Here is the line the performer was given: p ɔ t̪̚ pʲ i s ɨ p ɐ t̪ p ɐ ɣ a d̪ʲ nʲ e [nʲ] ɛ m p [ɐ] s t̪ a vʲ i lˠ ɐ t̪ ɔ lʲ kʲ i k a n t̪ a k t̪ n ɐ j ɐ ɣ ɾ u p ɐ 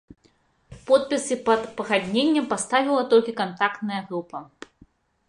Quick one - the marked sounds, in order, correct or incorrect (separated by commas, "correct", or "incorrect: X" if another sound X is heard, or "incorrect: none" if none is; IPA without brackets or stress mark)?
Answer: incorrect: nʲː, incorrect: a